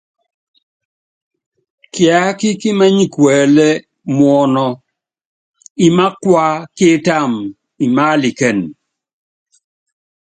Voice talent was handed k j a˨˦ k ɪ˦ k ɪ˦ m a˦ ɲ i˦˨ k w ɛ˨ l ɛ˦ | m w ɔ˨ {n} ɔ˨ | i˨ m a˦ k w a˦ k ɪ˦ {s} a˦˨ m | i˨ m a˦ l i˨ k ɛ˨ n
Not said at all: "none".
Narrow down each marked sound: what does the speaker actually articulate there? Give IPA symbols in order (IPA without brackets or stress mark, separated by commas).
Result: n, t